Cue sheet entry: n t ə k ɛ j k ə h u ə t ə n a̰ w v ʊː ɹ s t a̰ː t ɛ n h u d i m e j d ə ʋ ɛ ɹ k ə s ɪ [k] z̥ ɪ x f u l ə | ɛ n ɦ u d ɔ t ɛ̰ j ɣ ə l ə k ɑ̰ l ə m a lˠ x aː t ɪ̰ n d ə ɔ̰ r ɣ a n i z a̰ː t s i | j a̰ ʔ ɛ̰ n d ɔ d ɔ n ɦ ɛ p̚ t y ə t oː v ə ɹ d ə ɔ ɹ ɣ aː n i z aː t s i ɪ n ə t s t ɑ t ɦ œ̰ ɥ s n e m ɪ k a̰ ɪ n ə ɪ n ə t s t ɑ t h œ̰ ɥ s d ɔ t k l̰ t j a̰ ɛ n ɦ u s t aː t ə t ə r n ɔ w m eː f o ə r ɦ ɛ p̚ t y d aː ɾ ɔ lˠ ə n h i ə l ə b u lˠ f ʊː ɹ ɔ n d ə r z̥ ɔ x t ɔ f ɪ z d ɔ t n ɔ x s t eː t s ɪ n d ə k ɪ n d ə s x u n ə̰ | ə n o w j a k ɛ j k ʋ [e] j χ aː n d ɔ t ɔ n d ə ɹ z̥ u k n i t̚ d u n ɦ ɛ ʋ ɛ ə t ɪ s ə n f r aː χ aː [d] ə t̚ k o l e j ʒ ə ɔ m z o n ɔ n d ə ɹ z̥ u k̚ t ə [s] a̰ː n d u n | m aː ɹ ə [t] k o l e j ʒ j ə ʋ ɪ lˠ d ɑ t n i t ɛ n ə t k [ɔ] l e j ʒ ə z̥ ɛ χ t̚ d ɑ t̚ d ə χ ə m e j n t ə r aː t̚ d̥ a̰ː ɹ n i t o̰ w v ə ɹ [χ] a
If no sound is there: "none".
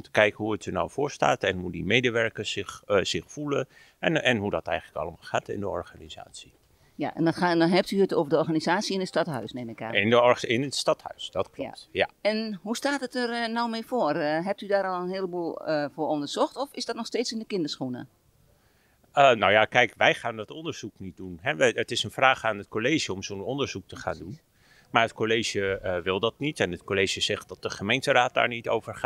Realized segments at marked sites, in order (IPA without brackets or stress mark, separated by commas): x, ɛ, n, χ, t, o, χ